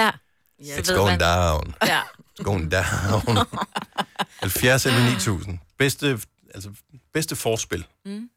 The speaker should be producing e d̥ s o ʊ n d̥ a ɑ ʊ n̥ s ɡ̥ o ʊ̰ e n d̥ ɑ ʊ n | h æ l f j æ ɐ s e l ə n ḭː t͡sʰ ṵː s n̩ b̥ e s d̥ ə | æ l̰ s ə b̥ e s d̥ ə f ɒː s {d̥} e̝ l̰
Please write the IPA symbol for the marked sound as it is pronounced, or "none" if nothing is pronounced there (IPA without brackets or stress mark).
b̥